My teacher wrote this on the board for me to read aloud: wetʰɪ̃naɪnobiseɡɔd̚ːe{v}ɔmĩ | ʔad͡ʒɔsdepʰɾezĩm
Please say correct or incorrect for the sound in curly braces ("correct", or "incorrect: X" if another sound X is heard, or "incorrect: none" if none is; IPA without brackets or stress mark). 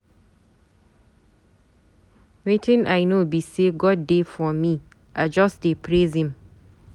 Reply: incorrect: f